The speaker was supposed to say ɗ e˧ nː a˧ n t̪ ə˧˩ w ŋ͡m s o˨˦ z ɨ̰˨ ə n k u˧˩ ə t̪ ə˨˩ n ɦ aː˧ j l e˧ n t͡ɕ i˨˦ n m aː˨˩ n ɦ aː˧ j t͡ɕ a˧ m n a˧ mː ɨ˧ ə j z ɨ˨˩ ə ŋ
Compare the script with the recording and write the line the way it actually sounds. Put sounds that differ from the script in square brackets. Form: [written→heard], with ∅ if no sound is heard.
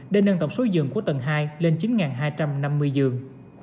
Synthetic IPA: ɗ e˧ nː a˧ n t̪ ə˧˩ w ŋ͡m s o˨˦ z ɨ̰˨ ə [n→ŋ] k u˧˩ ə t̪ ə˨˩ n ɦ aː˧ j l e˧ n t͡ɕ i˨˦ n [m→ŋ] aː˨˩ n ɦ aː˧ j t͡ɕ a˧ m n a˧ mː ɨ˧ ə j z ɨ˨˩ ə ŋ